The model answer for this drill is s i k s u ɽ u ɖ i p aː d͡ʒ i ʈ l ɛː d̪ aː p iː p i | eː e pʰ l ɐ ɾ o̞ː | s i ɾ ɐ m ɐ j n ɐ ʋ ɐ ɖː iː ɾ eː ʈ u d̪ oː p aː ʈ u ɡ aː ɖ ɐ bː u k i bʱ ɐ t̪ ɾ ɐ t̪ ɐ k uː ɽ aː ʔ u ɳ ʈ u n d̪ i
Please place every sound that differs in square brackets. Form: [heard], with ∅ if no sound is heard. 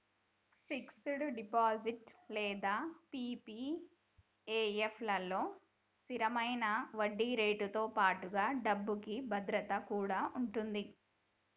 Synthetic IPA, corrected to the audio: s i k s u ɽ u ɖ i p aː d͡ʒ i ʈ l ɛː d̪ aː p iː p i | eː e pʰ l ɐ [l] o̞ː | s i ɾ ɐ m ɐ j n ɐ ʋ ɐ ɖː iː ɾ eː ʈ u [t̪] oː p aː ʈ u ɡ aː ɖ ɐ bː u k i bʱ ɐ [d̪] ɾ ɐ t̪ ɐ k uː ɽ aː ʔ u ɳ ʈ u n d̪ i